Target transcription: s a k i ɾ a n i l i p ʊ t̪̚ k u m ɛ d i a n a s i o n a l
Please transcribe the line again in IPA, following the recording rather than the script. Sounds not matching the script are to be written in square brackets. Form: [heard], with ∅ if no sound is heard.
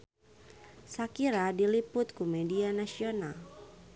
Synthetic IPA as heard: s a k i ɾ a [d] i l i p ʊ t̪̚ k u m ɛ d i a n a s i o n a l